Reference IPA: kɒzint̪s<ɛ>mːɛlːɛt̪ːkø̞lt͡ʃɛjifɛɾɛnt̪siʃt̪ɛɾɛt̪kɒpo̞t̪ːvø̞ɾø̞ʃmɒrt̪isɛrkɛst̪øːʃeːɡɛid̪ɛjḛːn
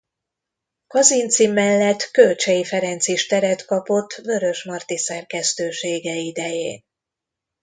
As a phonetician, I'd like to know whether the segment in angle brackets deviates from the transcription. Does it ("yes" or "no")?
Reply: yes